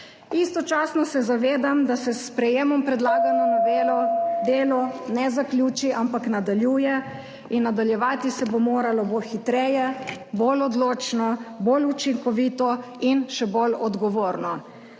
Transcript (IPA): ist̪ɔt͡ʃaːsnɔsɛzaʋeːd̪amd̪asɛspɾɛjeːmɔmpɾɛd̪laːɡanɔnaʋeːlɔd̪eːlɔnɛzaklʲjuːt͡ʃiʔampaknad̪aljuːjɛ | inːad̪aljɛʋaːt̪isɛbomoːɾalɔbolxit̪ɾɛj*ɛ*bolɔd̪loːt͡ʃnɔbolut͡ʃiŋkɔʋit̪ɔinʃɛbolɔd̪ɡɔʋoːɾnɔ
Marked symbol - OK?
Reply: yes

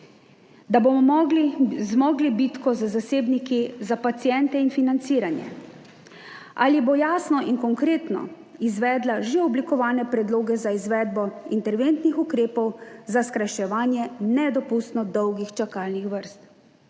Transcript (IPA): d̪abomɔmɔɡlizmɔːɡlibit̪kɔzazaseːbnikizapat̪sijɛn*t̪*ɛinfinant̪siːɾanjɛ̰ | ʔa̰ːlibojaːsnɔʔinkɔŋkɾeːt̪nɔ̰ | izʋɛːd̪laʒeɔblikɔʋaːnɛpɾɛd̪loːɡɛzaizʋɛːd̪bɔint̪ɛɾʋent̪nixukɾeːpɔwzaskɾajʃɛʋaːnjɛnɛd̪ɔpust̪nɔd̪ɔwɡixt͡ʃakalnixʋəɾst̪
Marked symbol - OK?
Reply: yes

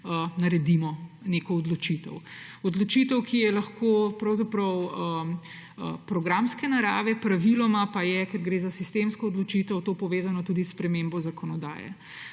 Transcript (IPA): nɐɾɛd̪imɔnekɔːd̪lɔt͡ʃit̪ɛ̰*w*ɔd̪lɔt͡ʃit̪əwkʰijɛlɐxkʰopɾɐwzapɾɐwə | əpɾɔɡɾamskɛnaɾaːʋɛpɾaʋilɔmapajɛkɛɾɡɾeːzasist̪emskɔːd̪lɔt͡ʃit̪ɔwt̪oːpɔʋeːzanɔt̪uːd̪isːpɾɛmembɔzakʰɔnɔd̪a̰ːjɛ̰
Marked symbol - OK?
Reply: yes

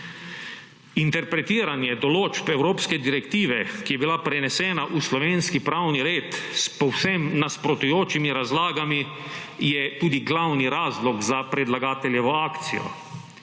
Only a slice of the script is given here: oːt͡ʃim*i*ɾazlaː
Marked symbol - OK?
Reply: yes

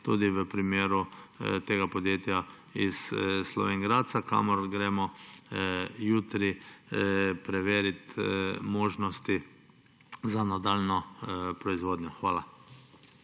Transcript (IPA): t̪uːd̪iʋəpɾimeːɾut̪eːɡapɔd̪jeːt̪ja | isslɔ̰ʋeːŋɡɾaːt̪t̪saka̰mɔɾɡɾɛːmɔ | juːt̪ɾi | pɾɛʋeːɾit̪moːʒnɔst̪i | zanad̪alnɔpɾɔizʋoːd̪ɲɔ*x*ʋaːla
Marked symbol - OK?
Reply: yes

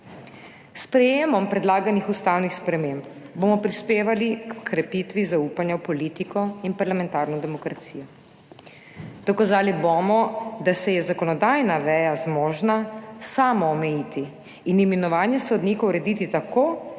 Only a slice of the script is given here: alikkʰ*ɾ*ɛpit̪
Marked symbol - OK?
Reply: yes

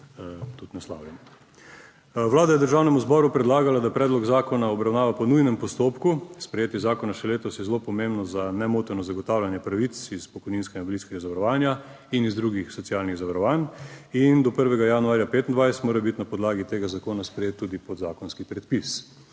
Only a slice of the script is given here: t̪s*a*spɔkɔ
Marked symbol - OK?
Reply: no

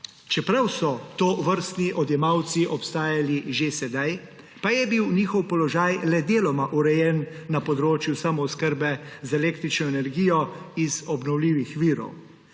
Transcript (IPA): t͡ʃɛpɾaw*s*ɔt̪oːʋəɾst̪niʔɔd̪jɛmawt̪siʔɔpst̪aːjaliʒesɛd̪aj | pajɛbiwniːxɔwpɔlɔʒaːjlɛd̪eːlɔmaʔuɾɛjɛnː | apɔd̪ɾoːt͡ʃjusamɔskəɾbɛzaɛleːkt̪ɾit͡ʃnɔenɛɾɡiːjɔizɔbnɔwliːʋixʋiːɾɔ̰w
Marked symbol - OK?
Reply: yes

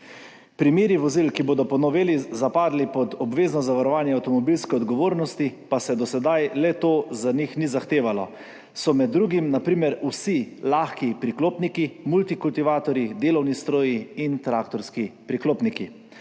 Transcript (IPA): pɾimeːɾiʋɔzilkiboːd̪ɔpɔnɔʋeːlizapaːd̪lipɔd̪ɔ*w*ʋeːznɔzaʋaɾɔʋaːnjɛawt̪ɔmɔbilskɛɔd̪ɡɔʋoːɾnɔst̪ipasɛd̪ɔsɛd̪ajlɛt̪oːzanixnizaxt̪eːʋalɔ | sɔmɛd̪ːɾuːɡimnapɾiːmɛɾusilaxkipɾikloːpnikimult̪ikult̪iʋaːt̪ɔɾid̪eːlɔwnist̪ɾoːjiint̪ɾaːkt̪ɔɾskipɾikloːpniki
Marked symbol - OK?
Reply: no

